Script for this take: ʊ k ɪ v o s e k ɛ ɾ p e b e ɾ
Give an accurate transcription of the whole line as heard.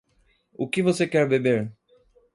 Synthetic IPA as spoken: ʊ k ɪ v o s e k ɛ ɾ b e b e ɾ